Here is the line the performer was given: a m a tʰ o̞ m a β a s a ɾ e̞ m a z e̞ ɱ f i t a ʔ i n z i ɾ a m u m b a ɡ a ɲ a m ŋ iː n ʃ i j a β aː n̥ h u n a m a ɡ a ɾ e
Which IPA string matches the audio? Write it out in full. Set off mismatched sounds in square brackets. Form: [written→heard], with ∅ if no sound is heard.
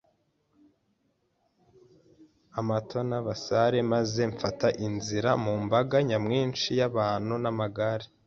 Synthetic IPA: a m a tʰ o̞ [m→n] a β a s a ɾ e̞ m a z e̞ ɱ f [i→a] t a ʔ i n z i ɾ a m u m b a ɡ a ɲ a m ŋ iː n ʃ i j a β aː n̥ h u n a m a ɡ a ɾ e

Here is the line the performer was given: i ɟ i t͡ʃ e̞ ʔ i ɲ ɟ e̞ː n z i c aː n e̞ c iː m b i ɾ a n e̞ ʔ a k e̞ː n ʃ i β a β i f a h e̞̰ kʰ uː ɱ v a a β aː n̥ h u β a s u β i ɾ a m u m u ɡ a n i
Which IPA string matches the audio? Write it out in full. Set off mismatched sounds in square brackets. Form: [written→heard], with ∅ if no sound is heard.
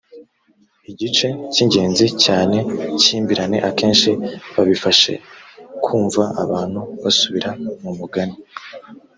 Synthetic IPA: i ɟ i t͡ʃ e̞ [ʔ→c] i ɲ ɟ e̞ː n z i c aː n e̞ c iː m b i ɾ a n e̞ ʔ a k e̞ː n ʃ i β a β i f a [h→ʃ] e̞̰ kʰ uː ɱ v a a β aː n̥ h u β a s u β i ɾ a m u m u ɡ a n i

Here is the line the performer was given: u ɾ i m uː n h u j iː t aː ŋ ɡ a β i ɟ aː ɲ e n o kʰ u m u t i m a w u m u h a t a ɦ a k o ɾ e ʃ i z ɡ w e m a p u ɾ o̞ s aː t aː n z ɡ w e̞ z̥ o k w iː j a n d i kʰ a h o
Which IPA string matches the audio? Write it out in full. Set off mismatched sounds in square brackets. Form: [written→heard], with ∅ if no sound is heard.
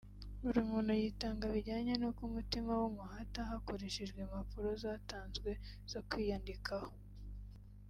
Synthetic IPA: u ɾ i m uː n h u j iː t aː ŋ ɡ a β i ɟ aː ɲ e n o [kʰ→k] u m u t i m a w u m u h a t a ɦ a k o ɾ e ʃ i [z→ʒ] ɡ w e m a p u ɾ o̞ [s→z] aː t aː n z ɡ w e̞ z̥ o k w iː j a n d i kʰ a h o

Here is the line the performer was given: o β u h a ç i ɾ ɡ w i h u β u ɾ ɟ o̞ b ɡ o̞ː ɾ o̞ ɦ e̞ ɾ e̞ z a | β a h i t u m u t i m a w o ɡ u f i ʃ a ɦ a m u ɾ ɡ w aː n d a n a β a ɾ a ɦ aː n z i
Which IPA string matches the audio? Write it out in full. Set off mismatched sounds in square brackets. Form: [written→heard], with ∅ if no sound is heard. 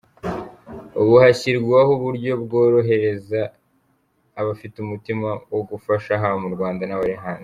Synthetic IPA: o β u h a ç i ɾ ɡ w [i→a] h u β u ɾ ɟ o̞ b ɡ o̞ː ɾ o̞ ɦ e̞ ɾ e̞ z a | β a [h→f] i t u m u t i m a w o ɡ u f [i→a] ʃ a ɦ a m u ɾ ɡ w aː n d a n a β a ɾ [a→i] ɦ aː n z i

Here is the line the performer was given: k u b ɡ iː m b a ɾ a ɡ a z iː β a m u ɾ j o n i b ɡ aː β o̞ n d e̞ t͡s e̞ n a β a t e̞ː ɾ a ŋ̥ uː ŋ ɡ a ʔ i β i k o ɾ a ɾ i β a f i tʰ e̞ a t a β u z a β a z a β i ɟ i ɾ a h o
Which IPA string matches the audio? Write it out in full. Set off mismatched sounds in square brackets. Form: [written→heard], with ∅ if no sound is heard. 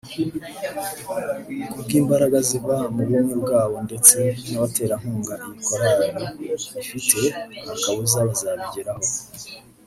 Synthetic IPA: k u b ɡ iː m b a ɾ a ɡ a z [iː→i] β a m u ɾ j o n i b ɡ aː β o̞ n d e̞ t͡s e̞ n a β a t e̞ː ɾ a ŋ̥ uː ŋ ɡ a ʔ i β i k o ɾ a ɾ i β [a→i] f i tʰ e̞ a [t→k] a β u z a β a z a β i ɟ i ɾ a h o

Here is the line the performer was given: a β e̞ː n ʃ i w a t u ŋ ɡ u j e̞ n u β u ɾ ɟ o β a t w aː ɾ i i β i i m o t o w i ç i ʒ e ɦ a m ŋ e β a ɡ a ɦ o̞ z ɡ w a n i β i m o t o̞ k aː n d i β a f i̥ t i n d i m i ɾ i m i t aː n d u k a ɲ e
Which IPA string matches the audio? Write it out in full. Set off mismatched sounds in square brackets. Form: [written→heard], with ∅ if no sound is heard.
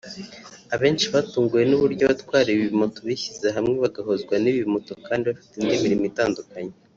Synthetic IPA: a β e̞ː n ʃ i [w→β] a t [u→uː] ŋ ɡ u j e̞ n u β u ɾ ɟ o β a t w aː ɾ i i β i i m o t o [w→β] i ç i [ʒ→z] e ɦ a m ŋ e β a ɡ a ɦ o̞ z ɡ w a n i β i m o t o̞ k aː n d i β a f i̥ t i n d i m i ɾ i m i t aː n d u k a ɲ e

